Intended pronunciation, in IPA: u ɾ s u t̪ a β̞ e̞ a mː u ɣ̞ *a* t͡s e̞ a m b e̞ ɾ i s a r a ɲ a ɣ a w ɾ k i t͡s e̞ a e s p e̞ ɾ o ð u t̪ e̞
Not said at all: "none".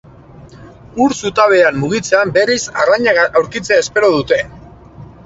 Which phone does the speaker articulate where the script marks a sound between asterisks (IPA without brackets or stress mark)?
i